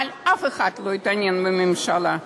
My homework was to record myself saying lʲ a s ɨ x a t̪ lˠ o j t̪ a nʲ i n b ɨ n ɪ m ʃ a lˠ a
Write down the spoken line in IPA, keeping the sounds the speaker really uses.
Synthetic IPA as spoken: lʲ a f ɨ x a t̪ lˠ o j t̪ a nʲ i n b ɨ m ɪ m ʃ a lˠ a